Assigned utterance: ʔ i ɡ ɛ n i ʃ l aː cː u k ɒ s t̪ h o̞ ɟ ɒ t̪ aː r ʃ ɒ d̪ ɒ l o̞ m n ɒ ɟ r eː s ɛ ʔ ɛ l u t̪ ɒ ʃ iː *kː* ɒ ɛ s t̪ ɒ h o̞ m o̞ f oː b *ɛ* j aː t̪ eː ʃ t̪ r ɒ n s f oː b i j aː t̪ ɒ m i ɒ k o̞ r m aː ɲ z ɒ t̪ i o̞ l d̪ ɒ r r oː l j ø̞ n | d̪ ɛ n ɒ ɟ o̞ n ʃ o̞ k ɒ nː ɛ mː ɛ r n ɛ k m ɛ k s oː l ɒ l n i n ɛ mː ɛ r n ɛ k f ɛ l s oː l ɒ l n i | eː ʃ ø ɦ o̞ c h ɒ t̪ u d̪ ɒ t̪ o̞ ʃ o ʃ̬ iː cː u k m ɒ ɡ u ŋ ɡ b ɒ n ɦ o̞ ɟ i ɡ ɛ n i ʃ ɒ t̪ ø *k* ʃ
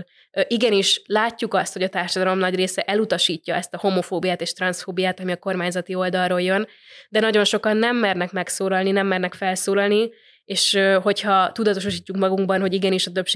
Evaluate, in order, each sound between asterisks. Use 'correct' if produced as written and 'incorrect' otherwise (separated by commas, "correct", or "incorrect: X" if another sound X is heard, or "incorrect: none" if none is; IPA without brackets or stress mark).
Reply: incorrect: cː, incorrect: i, incorrect: p